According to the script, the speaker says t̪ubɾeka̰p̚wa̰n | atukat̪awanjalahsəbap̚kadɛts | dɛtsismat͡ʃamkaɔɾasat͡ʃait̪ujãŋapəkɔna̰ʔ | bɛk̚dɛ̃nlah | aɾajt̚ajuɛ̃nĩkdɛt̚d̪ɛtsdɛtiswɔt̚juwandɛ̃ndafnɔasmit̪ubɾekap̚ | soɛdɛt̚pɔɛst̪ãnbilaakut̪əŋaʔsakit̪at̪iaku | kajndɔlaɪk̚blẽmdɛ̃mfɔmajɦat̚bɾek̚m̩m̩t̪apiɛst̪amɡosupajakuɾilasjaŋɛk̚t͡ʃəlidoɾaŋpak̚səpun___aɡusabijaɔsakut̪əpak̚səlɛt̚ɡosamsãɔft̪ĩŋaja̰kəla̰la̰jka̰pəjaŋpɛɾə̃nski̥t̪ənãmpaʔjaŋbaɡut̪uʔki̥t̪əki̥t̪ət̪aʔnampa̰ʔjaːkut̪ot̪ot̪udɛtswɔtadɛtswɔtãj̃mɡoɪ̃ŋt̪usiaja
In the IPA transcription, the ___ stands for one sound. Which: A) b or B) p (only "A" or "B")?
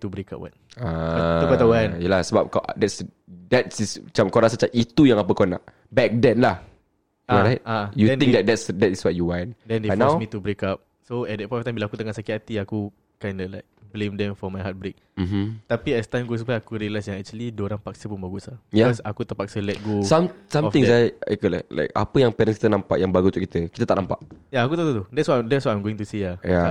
A